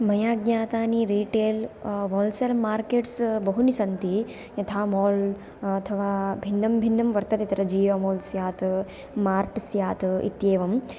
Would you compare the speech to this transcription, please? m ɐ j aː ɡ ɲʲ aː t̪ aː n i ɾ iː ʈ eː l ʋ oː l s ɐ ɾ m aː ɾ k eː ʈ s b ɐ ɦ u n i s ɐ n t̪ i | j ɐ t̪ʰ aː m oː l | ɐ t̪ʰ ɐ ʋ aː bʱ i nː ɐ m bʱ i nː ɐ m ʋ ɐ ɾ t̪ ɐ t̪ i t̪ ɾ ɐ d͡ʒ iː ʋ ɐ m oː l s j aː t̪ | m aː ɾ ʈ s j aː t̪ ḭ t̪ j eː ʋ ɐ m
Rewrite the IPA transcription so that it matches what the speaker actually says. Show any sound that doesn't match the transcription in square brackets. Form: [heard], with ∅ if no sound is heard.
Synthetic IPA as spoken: m ɐ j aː ɡ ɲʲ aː t̪ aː n i ɾ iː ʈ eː l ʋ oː l s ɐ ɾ m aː ɾ k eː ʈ s b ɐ ɦ u n i s ɐ n t̪ i | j ɐ t̪ʰ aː m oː l | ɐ t̪ʰ ɐ ʋ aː bʱ i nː ɐ m bʱ i nː ɐ m ʋ ɐ ɾ t̪ ɐ t̪ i t̪ ɾ ɐ d͡ʒ iː ʋ ɐ m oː l s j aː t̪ | m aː ɾ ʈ s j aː t̪ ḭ t̪ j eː ʋ ɐ m